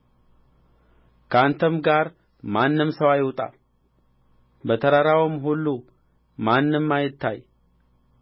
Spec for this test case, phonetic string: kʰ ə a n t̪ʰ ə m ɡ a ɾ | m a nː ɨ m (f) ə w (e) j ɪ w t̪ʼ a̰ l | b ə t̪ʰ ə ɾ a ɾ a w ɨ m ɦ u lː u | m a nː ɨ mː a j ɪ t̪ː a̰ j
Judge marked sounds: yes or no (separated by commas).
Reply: no, no